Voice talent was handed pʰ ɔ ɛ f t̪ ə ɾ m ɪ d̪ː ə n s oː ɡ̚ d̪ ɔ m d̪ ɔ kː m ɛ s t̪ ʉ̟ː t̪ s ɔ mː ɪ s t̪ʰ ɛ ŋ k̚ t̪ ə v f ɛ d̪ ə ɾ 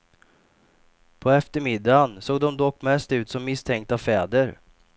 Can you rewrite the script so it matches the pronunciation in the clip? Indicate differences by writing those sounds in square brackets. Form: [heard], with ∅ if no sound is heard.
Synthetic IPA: pʰ ɔ ɛ f t̪ ə ɾ m ɪ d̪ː [a] n s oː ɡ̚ d̪ ɔ m d̪ ɔ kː m ɛ s t̪ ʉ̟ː t̪ s ɔ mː ɪ s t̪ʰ ɛ ŋ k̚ t̪ [a] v f [ɛː] d̪ ə ɾ